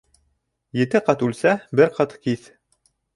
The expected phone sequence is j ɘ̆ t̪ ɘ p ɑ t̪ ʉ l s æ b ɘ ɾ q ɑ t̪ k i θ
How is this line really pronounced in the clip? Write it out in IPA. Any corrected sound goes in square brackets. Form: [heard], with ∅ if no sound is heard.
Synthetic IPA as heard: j ɘ̆ t̪ ɘ [q] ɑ t̪ ʉ l s æ b ɘ ɾ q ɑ t̪ k i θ